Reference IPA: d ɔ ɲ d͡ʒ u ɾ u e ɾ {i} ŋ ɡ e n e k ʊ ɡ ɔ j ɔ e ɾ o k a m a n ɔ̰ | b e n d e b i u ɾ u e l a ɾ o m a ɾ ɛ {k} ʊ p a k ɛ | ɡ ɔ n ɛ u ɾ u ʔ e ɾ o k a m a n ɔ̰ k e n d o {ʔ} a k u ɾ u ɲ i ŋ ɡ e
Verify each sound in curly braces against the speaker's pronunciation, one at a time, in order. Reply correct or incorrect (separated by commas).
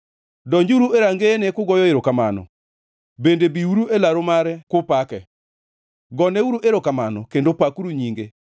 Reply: incorrect, correct, incorrect